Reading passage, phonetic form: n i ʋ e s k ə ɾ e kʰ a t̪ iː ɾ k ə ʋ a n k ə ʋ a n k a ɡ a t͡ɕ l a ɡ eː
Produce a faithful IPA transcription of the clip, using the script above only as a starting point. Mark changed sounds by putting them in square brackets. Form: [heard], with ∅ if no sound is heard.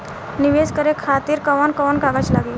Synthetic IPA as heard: n i ʋ e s k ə ɾ e kʰ a t̪ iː ɾ k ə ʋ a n k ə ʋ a n k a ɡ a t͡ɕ l a ɡ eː